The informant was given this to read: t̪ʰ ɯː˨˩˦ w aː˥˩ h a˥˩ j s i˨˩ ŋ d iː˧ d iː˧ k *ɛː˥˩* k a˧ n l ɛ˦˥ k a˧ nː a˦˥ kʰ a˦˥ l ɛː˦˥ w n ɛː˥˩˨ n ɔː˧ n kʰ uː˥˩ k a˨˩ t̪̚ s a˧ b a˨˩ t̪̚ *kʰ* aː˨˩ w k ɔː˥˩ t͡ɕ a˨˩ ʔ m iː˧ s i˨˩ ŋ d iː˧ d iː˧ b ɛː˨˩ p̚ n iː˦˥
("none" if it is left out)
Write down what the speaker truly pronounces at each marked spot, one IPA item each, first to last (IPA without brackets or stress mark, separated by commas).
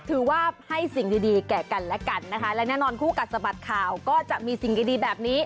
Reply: ɛː˨˩, kʰ